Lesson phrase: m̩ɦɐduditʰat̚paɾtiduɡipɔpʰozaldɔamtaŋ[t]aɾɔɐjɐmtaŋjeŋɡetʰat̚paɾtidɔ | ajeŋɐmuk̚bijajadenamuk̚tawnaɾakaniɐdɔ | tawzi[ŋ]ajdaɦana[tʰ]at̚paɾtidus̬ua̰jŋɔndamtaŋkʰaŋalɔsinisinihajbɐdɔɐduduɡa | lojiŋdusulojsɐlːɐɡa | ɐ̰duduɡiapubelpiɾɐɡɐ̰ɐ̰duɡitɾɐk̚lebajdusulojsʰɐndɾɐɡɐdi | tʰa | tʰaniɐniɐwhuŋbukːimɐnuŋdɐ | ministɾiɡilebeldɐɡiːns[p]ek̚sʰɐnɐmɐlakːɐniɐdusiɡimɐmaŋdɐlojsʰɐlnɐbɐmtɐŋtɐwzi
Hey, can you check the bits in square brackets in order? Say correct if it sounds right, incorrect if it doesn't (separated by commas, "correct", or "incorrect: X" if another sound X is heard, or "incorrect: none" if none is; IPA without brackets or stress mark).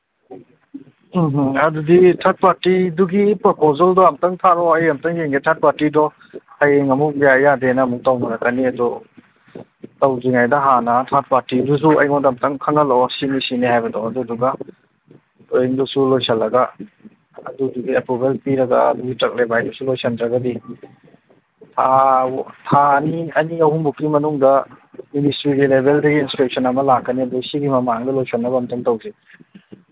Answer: incorrect: tʰ, correct, correct, correct